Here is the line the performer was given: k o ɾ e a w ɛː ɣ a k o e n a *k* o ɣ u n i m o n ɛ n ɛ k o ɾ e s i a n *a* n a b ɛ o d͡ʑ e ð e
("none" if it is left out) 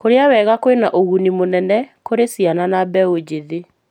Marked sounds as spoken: ʔ, a

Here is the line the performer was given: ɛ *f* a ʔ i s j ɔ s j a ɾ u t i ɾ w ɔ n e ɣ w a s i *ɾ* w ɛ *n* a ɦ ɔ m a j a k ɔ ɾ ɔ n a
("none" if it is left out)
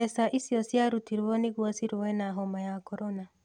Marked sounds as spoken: s, ɾ, n

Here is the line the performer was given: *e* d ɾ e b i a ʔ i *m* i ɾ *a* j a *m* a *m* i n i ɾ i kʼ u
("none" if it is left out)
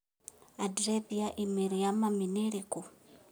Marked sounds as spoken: a, m, i, m, m

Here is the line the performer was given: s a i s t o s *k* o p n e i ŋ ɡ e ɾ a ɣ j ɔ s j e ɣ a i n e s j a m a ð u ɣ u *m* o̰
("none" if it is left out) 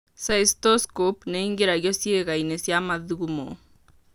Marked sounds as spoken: k, m

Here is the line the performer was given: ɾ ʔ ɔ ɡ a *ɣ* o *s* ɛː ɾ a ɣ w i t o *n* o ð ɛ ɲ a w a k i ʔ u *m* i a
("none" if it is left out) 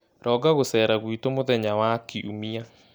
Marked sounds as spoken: ɣ, s, m, m

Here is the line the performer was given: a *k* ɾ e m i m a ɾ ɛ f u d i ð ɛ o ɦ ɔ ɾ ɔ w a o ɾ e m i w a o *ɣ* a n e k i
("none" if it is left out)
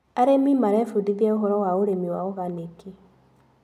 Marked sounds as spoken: none, ɣ

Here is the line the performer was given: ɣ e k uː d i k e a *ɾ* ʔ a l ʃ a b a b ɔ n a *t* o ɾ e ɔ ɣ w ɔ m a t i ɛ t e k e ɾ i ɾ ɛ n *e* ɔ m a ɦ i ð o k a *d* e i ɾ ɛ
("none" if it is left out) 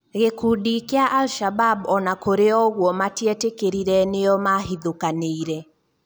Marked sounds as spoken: none, k, e, n

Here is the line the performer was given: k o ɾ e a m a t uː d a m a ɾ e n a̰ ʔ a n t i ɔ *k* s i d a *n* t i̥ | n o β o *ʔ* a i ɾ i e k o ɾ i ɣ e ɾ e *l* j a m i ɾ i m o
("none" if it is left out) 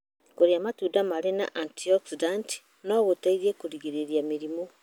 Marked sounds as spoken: k, n, t, ɾ

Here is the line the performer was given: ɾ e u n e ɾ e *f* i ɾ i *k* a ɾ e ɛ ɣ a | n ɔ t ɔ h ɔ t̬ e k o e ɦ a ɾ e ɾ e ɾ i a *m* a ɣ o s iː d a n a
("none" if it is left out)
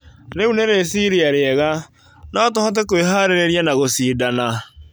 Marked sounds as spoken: s, none, n

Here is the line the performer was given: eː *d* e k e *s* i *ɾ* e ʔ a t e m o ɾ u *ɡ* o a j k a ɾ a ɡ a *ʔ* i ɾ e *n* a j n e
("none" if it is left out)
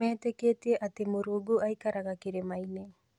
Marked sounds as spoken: t, t, none, ɡ, k, m

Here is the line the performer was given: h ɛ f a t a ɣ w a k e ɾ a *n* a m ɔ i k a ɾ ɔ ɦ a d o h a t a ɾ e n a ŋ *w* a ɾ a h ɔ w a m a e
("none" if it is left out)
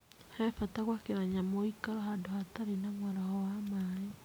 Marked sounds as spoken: ɲ, w

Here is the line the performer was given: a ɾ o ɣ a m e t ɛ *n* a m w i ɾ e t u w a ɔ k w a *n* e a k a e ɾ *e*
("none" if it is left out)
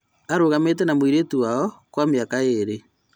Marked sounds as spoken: n, m, e

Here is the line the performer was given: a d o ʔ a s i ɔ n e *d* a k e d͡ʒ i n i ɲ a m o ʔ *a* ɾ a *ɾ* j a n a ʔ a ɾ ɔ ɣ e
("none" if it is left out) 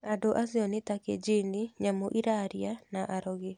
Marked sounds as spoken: t, i, ɾ

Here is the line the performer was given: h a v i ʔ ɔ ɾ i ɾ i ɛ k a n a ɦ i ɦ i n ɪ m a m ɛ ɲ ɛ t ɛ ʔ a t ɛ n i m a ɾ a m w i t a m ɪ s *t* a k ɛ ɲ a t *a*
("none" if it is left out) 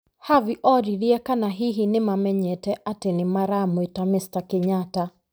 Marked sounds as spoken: t, a

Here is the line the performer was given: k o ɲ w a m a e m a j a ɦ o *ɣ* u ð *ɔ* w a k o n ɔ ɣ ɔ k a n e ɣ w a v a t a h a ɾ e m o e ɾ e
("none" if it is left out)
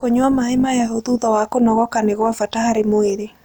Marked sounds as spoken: ð, ɔ

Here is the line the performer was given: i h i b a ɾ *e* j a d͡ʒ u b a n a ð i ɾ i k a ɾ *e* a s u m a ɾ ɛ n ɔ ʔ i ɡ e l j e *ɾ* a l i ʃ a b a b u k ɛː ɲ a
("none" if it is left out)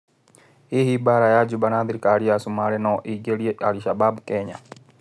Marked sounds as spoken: a, i, none

